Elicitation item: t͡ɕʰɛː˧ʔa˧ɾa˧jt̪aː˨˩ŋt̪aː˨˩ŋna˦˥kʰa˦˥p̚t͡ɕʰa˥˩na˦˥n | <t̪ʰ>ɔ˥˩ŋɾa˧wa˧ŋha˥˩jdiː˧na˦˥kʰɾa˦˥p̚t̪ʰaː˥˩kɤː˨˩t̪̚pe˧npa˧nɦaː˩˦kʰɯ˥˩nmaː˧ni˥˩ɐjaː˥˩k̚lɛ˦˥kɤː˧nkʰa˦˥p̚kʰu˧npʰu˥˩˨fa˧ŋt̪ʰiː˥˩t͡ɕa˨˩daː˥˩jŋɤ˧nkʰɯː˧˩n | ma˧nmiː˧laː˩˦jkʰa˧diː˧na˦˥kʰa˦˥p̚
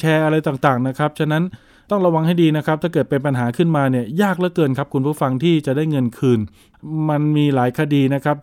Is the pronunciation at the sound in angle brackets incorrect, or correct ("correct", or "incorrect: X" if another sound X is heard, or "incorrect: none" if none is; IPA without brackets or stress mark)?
incorrect: t̪